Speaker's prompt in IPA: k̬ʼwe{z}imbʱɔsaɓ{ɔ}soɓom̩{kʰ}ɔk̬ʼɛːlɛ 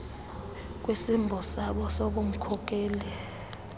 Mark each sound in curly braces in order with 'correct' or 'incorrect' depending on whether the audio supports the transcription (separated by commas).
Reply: incorrect, correct, correct